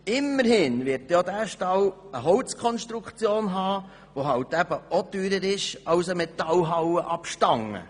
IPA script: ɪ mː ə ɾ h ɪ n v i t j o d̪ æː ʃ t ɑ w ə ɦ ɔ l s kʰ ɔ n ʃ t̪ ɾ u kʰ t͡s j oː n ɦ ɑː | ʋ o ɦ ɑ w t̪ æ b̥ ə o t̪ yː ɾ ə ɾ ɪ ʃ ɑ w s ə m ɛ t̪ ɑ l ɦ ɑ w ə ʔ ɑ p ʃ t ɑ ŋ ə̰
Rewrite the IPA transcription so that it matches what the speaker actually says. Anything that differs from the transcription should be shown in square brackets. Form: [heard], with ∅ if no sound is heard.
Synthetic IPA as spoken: ɪ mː ə ɾ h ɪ n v [ɪ] t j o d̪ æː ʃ t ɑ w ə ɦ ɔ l [t͡s] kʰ ɔ n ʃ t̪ ɾ u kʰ t͡s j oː n ɦ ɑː | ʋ o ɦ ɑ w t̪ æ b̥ ə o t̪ yː ɾ ə ɾ ɪ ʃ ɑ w s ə m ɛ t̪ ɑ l ɦ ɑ w ə ʔ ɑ p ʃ t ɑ ŋ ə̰